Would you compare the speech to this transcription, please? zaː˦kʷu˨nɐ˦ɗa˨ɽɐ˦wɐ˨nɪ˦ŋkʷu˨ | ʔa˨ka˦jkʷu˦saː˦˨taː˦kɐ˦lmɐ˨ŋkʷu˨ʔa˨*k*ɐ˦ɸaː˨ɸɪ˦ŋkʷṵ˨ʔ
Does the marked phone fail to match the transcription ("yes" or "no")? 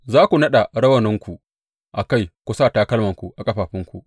yes